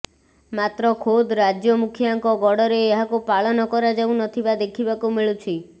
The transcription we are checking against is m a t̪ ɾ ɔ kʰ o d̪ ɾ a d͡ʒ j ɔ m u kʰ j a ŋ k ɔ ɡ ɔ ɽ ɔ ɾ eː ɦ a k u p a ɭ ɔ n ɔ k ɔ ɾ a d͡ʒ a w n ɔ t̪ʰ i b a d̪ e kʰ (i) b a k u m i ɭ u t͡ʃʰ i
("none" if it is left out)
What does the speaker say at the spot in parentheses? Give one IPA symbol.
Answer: i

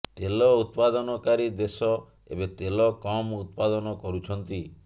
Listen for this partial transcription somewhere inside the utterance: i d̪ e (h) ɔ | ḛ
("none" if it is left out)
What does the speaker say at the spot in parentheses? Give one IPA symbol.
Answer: s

